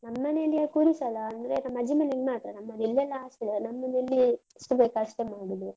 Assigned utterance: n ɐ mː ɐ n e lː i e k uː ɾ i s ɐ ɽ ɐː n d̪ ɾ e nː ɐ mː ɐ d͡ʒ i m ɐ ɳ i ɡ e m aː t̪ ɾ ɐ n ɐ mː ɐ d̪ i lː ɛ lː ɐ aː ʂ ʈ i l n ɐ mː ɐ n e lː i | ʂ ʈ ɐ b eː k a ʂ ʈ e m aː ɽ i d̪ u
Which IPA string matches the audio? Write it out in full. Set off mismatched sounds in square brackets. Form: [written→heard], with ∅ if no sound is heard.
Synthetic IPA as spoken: n ɐ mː ɐ n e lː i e k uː ɾ i s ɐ [ɽ→l] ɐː n d̪ ɾ e [nː→n] ɐ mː ɐ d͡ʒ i m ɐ [ɳ→n] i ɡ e m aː t̪ ɾ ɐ n ɐ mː ɐ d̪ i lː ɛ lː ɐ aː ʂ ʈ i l n ɐ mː ɐ n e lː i | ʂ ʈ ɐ b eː k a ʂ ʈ e m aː ɽ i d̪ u